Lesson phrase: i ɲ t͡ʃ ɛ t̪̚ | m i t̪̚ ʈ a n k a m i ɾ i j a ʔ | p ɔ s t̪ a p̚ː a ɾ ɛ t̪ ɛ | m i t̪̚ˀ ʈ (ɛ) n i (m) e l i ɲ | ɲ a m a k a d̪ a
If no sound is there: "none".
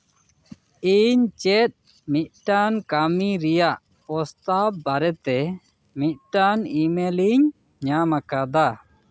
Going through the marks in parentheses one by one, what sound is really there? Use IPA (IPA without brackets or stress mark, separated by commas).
a, m